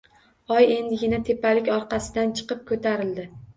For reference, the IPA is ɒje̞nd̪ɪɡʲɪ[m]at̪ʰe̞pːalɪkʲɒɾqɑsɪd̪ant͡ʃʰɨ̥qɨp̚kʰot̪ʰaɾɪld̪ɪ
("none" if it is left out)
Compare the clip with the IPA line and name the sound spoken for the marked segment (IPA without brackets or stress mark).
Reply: n